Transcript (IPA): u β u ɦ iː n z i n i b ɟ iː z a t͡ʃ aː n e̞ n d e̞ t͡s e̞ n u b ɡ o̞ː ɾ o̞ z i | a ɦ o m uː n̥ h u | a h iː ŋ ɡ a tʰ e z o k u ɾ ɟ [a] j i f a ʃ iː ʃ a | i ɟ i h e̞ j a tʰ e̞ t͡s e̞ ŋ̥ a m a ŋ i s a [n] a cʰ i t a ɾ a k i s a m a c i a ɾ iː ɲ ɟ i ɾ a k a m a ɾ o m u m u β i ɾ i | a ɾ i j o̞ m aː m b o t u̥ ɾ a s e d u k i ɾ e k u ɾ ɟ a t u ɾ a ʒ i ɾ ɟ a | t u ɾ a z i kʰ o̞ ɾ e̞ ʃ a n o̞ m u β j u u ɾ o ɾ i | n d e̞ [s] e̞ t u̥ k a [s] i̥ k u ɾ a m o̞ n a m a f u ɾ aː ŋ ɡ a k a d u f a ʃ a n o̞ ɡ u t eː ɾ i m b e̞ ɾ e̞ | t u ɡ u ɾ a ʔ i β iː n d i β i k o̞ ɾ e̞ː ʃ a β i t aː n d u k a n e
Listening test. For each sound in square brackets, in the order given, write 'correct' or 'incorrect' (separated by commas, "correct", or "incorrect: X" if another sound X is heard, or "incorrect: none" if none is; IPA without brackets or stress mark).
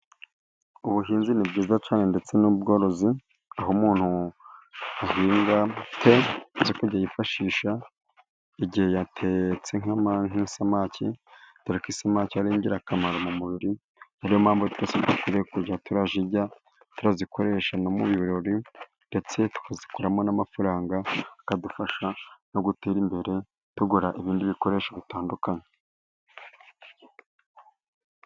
correct, incorrect: m, incorrect: t͡s, incorrect: z